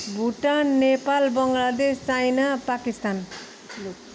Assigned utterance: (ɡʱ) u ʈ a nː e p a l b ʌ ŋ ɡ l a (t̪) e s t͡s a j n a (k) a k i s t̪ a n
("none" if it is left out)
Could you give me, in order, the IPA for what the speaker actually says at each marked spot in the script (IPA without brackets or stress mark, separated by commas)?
bʱ, d̪, p